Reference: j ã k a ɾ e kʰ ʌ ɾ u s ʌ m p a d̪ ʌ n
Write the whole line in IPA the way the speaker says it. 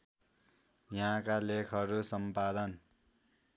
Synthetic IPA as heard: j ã k a l e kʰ ʌ ɾ u s ʌ m p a d̪ ʌ n